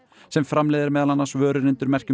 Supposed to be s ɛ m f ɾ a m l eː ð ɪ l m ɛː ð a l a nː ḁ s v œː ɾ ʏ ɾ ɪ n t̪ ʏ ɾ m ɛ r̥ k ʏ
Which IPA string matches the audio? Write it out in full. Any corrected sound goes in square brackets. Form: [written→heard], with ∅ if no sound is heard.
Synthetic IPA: s ɛ m f ɾ a m l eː ð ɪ [l→ɾ] m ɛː ð a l a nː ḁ s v œː ɾ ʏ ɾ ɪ n t̪ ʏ ɾ m ɛ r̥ [k→c] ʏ